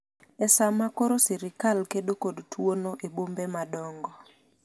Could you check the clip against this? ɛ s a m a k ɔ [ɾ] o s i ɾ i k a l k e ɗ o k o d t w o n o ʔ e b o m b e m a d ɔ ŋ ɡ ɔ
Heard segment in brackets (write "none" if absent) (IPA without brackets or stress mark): ɾ